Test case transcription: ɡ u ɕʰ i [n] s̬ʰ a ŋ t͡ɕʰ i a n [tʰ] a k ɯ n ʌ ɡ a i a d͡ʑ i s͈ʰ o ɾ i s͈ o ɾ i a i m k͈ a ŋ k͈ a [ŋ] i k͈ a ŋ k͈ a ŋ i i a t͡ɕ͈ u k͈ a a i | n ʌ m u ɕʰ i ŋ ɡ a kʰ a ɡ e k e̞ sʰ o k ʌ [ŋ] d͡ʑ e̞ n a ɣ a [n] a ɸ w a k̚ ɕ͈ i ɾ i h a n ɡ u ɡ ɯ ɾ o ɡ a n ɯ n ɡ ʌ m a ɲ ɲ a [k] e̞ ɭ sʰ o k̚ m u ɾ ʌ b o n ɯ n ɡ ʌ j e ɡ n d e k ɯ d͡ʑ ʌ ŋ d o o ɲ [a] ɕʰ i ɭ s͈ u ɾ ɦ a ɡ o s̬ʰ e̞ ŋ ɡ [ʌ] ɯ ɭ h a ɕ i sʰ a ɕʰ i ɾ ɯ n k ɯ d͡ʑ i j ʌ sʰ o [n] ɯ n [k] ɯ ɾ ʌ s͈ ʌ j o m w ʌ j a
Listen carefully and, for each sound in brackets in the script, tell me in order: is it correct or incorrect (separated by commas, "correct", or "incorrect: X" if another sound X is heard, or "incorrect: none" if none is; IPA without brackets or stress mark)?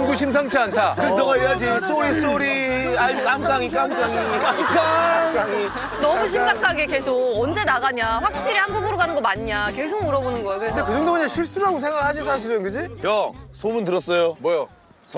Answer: incorrect: m, correct, correct, incorrect: n, incorrect: ɲ, correct, correct, incorrect: a, incorrect: m, incorrect: t